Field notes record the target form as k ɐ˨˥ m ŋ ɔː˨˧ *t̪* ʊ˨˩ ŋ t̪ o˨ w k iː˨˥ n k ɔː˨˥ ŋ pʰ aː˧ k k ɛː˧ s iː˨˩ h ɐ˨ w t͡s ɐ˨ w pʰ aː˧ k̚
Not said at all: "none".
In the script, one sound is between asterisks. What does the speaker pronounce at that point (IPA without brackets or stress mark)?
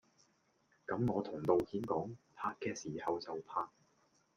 t̪ʰ